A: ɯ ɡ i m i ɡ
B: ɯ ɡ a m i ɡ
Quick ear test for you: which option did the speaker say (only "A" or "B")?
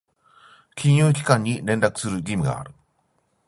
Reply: A